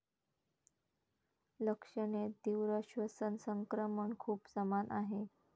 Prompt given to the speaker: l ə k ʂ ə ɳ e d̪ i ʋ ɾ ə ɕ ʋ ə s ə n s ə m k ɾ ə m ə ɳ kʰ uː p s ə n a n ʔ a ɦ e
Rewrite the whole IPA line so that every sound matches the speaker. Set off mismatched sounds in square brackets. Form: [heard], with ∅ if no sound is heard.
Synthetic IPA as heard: l ə k ʂ ə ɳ e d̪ i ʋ ɾ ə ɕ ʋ ə s ə n s ə [ŋ] k ɾ ə m ə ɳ kʰ uː p s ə [m] a n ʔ a ɦ e